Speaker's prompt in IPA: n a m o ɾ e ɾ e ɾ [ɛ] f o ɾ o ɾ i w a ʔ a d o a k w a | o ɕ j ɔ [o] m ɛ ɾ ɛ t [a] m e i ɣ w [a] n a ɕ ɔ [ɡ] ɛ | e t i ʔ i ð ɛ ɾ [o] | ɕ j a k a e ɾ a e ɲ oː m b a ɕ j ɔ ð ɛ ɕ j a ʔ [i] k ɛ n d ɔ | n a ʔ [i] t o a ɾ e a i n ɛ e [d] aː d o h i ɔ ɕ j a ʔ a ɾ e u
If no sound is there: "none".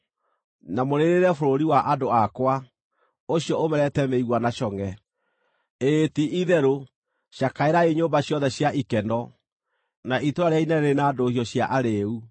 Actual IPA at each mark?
ɛ, o, ɛ, a, ŋ, o, i, i, n

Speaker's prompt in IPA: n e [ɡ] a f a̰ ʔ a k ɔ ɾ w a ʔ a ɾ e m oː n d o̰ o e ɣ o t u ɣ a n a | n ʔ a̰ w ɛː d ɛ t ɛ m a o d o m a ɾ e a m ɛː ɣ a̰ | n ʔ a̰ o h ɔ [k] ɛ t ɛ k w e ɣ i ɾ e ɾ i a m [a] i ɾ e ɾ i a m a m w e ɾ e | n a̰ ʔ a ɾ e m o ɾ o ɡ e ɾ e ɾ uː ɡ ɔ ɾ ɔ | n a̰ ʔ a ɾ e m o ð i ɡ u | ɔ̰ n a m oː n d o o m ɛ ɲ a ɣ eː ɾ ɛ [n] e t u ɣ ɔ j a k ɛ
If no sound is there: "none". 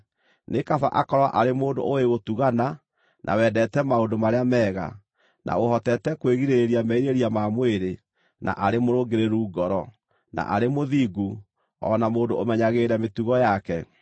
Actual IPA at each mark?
k, t, ɛ, m

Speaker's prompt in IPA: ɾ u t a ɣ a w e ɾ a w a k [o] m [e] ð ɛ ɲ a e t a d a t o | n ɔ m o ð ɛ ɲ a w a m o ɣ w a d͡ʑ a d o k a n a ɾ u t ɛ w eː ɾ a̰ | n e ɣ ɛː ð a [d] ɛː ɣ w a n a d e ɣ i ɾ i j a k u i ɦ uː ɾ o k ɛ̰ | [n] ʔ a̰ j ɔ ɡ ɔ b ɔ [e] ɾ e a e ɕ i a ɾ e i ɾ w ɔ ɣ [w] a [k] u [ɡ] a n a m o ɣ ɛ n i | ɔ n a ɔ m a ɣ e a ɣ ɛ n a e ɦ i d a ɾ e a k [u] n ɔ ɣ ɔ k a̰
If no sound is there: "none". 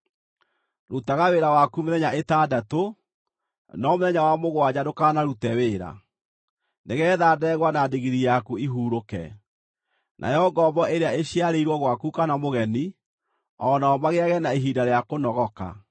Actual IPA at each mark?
u, e, d, n, e, w, k, k, o

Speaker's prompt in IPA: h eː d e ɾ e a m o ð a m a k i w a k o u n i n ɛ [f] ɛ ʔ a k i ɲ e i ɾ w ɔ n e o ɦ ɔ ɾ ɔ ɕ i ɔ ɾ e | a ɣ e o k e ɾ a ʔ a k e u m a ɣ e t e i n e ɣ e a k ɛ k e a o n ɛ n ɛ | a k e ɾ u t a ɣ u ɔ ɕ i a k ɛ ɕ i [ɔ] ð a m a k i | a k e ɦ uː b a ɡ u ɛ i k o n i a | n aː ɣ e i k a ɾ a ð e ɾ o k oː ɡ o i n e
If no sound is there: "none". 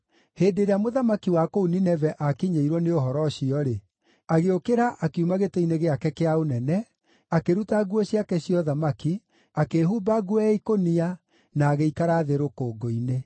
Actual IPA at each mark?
v, ɔ

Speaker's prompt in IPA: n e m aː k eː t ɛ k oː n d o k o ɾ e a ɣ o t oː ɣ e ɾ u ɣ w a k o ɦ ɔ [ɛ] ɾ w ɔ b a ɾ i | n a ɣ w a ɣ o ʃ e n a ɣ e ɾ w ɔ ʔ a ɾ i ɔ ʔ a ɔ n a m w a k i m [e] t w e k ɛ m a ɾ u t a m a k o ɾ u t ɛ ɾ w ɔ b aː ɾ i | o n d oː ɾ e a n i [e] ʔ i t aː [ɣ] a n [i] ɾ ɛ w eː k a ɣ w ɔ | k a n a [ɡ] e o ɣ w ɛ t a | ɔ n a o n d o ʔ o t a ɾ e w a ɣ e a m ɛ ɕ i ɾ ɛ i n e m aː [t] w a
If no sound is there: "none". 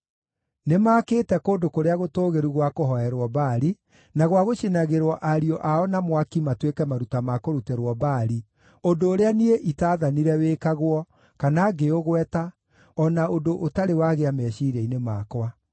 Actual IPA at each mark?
ɛ, a, e, ð, i, ɡ, k

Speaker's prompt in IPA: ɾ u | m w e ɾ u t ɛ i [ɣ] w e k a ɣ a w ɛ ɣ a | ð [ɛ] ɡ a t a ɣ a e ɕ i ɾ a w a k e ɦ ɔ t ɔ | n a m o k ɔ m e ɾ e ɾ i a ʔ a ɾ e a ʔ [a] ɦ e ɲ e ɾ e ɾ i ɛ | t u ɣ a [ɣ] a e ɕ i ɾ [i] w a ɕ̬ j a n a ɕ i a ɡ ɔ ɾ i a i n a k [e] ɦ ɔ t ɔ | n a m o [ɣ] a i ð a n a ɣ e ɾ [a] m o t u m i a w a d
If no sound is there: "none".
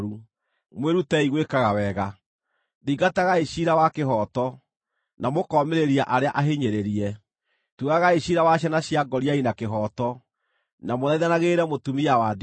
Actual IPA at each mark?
ɣ, i, a, ɣ, a, e, ð, ɛ

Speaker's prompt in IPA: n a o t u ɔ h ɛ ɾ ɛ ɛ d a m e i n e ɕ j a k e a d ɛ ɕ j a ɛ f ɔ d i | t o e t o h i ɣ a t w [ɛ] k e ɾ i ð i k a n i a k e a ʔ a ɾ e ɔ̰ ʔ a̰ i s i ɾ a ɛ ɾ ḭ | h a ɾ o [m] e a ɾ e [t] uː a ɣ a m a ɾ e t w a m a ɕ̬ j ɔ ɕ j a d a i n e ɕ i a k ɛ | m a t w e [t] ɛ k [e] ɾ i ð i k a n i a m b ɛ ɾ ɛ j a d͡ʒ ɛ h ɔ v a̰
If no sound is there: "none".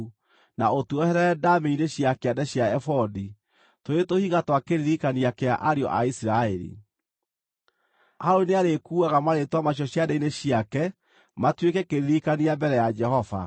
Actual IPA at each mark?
a, n, k, k, e

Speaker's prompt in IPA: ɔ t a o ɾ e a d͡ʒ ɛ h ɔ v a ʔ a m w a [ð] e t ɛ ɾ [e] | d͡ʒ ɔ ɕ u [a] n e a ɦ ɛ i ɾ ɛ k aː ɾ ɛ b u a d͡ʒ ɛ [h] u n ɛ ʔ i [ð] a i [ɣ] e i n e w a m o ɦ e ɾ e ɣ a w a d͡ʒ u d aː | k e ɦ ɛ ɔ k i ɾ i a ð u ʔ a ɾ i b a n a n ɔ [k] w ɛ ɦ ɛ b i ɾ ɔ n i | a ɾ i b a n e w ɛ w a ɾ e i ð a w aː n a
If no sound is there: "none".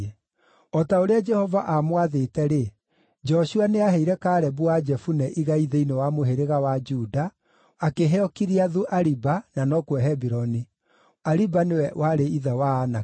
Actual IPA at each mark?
ð, e, a, f, ɣ, ð, k

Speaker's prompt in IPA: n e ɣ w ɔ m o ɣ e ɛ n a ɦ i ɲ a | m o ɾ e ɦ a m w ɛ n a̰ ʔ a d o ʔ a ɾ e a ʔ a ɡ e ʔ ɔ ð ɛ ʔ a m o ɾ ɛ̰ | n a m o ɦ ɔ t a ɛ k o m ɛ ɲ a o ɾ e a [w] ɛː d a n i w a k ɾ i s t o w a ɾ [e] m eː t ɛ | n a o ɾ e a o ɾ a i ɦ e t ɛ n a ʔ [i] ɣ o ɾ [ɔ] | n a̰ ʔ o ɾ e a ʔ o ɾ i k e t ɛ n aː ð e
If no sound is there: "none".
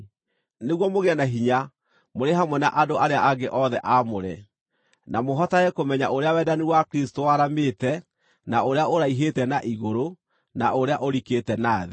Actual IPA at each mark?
w, a, i, o

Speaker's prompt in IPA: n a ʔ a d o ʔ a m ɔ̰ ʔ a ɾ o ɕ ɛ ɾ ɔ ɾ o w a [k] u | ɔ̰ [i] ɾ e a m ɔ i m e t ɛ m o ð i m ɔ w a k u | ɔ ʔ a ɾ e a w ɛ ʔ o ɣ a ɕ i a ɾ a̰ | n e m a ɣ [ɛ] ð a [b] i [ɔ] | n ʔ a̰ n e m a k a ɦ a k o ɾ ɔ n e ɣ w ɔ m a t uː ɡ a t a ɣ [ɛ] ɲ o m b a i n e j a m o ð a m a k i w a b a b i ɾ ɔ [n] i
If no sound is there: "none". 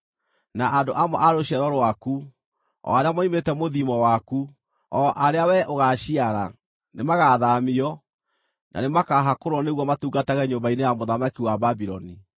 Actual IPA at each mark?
k, a, a, m, ɔ, ɛ, n

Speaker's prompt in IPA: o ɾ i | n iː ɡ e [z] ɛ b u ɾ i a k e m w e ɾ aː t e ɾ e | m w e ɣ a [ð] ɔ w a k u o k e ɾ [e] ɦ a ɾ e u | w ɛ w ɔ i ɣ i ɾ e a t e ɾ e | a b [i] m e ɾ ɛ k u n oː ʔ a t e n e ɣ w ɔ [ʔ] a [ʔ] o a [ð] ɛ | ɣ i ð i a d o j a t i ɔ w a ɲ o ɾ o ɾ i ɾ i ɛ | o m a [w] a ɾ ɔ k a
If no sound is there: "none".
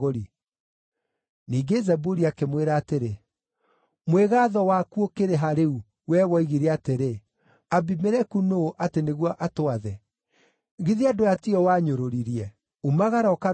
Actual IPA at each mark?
z, ð, e, i, ʔ, t, ð, ɣ

